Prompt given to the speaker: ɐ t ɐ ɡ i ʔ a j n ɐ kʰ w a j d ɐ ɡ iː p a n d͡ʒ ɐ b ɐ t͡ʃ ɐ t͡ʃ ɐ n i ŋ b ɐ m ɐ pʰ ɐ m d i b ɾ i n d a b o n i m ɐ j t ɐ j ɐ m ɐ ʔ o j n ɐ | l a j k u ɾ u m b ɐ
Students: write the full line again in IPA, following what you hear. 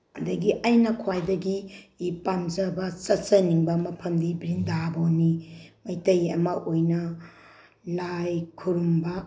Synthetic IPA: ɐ d ɐ ɡ i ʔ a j n ɐ kʰ w a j d ɐ ɡ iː p a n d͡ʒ ɐ b ɐ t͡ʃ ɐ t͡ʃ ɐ n i ŋ b ɐ m ɐ pʰ ɐ m d i b ɾ i n d a b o n i m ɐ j t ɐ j ɐ m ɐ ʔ o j n ɐ | l a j kʰ u ɾ u m b ɐ

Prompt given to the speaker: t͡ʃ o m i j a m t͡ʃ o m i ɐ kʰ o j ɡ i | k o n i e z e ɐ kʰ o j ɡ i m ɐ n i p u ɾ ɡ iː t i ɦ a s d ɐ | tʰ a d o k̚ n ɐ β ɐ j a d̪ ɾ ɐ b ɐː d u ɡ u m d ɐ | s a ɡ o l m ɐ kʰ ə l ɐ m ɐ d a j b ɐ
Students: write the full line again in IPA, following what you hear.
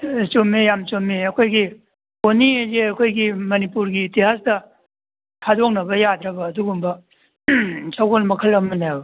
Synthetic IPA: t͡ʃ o m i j a m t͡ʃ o m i ɐ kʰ o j ɡ i | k o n i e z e ɐ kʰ o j ɡ i m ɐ n i p u ɾ ɡ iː t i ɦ a s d ɐ | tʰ a d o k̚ n ɐ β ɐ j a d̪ ɾ ɐ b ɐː d u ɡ u m b ɐ | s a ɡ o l m ɐ kʰ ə l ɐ m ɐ n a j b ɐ

